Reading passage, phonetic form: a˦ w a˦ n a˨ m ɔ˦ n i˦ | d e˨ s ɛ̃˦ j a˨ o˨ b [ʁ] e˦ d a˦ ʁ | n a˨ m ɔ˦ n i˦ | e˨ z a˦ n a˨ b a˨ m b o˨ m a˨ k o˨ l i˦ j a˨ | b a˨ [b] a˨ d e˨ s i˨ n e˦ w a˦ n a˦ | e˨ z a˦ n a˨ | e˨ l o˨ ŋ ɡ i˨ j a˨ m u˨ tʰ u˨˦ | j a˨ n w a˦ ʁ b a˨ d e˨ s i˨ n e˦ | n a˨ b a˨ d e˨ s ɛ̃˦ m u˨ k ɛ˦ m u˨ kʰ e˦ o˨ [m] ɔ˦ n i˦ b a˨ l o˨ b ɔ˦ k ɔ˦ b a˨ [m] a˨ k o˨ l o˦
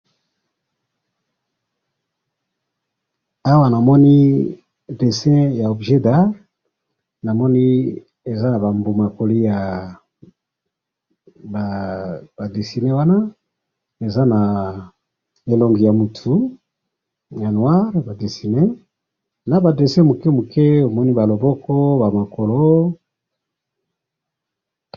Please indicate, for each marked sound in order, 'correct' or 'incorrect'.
incorrect: ʒ, correct, correct, correct

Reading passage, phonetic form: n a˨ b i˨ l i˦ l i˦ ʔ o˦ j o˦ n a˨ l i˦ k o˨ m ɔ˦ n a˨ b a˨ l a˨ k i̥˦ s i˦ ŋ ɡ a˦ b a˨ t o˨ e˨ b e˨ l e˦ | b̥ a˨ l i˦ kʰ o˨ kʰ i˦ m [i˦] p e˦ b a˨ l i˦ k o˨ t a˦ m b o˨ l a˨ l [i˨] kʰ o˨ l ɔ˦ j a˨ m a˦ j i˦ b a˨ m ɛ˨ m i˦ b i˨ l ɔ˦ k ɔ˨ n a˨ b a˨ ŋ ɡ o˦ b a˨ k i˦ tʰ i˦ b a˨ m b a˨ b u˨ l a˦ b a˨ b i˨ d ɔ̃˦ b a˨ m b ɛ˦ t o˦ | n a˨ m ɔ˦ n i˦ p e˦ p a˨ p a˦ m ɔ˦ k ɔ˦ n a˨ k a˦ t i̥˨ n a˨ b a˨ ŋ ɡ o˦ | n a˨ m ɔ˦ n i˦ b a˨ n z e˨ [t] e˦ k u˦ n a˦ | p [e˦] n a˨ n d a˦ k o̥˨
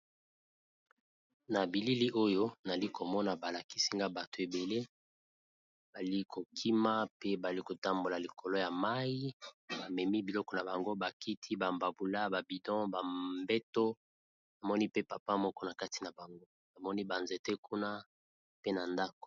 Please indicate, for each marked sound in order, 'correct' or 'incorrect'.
incorrect: a˦, correct, correct, correct

